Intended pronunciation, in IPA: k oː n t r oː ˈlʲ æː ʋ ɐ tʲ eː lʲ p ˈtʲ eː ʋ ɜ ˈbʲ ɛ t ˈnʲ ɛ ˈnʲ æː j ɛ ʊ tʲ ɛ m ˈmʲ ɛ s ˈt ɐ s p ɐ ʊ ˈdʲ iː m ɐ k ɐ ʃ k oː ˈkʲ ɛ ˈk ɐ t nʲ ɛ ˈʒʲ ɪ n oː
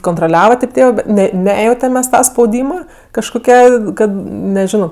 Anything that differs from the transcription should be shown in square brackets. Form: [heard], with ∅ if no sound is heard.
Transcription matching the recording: k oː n t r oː ˈlʲ æː ʋ ɐ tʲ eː [∅] p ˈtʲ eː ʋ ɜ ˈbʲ ɛ t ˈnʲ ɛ ˈnʲ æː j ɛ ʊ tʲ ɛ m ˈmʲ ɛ s ˈt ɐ s p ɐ ʊ ˈdʲ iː m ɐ k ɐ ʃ k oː ˈkʲ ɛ ˈk ɐ t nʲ ɛ ˈʒʲ ɪ n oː